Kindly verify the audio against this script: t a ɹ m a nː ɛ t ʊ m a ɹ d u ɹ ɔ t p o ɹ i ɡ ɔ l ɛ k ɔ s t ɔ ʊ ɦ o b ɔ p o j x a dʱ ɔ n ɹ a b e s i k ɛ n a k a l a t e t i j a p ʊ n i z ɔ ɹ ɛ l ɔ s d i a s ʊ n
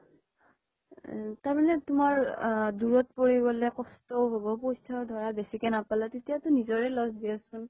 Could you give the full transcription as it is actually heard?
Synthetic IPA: t a ɹ m a n ɛ t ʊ m a ɹ d u ɹ ɔ t p o ɹ i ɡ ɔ l ɛ k ɔ s t ɔ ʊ ɦ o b ɔ p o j s a dʱ ɔ ɹ a b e s i k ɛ n a p a l a t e t i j a t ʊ n i z ɔ ɹ ɛ l ɔ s d i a s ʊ n

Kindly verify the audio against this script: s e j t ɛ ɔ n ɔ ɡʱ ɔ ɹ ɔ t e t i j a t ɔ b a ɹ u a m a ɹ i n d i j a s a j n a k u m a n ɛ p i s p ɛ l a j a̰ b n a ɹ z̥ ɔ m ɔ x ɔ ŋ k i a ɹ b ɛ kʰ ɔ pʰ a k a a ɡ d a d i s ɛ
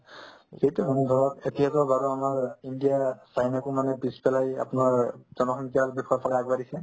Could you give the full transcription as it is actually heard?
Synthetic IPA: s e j t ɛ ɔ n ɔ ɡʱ ɔ ɹ ɔ t e t i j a t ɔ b a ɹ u a m a ɹ i n d i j a s a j n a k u m a n ɛ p i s p ɛ l a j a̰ p n a ɹ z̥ ɔ n ɔ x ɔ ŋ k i a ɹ b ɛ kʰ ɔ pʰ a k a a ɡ b a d i s ɛ

